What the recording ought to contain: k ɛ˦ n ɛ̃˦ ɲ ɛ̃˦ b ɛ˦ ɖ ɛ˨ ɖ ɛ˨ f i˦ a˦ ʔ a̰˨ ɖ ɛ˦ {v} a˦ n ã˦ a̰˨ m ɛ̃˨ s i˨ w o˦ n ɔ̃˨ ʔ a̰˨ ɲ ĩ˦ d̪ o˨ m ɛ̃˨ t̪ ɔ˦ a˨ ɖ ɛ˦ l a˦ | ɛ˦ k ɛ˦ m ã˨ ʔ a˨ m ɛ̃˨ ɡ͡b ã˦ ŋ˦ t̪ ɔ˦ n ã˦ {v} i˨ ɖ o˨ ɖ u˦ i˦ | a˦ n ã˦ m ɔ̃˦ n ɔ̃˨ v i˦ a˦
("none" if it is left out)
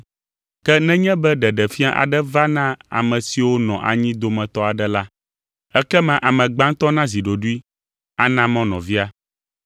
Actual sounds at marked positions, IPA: v, z

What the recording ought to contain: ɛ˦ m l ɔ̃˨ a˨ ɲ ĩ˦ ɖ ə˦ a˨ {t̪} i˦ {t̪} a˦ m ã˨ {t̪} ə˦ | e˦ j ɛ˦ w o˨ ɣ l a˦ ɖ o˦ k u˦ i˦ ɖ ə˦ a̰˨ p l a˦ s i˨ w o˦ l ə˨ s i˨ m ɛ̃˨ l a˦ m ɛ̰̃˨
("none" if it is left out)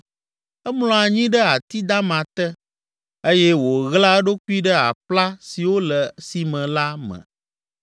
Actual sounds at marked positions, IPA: t̪, d̪, t̪

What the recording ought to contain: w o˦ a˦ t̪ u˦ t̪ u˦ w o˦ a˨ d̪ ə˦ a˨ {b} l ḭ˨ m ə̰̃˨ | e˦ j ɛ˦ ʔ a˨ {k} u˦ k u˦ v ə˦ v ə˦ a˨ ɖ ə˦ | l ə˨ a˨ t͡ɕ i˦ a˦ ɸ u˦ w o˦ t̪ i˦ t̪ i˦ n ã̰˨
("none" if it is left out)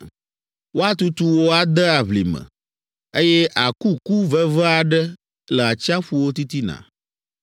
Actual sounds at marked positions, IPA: β, k

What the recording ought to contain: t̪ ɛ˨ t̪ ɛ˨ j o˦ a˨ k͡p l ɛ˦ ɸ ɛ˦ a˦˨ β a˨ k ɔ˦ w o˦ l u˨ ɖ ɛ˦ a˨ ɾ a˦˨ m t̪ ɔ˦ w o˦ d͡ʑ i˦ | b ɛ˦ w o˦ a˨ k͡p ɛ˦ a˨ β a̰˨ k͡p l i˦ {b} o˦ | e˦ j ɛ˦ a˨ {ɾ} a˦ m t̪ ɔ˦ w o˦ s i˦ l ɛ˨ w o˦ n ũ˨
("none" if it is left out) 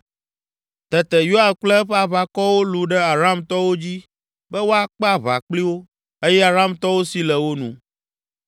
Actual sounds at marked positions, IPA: w, ɾ

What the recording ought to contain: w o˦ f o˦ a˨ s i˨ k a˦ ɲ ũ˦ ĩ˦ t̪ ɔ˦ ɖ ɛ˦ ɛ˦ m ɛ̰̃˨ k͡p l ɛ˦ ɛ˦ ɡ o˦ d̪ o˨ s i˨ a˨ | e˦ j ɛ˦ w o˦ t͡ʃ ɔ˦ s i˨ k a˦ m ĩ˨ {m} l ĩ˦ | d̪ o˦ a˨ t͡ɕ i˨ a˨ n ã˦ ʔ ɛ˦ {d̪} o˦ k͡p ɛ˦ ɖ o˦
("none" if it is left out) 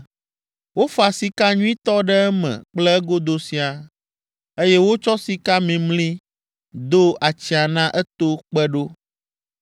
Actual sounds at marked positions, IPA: m, t̪

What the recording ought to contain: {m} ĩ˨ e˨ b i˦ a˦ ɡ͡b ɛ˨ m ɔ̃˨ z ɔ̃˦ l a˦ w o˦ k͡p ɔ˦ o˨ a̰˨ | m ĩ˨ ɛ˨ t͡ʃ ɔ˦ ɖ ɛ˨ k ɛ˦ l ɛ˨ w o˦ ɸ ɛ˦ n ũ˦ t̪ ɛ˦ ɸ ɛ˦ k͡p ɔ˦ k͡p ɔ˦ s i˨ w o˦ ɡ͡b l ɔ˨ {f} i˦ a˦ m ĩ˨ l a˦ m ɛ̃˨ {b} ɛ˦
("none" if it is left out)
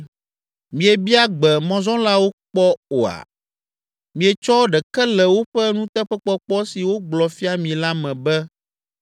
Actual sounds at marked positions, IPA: m, f, b

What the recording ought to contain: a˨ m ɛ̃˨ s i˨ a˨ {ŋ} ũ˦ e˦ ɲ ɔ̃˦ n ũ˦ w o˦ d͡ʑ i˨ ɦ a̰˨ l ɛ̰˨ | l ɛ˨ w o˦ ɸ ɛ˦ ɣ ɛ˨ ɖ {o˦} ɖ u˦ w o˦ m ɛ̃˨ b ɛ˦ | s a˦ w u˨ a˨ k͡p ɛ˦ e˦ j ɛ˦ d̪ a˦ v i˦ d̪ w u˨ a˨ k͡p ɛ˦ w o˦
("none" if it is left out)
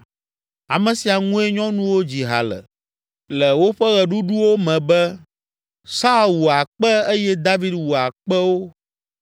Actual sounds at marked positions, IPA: ŋ, u˦

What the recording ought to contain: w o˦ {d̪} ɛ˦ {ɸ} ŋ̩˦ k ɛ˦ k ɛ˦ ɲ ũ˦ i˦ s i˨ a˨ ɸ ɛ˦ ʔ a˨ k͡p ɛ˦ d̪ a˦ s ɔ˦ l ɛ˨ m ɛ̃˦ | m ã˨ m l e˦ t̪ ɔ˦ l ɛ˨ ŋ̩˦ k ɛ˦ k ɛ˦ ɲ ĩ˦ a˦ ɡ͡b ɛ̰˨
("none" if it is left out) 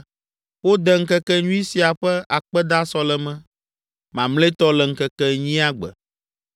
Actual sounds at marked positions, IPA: d̪, none

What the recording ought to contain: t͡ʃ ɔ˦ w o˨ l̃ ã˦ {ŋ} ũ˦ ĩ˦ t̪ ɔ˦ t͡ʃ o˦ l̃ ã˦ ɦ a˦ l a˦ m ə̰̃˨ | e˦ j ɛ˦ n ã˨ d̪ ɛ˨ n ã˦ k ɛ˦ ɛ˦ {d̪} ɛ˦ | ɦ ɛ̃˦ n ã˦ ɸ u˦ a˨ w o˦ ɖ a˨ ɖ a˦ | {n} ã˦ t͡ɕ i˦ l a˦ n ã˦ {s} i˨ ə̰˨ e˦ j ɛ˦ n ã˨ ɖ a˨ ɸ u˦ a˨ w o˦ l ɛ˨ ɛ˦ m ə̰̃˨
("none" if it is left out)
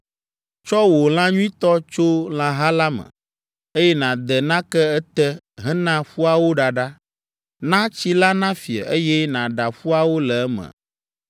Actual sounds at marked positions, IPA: ɲ, t̪, n, f

